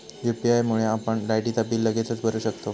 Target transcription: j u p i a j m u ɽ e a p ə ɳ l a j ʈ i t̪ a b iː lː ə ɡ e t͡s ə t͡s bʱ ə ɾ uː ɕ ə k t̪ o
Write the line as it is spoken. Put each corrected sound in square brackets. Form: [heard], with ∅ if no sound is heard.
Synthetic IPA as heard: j u p i a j m u [ɭ] e a p ə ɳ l a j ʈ i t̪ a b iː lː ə ɡ e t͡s ə t͡s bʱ ə ɾ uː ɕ ə k t̪ o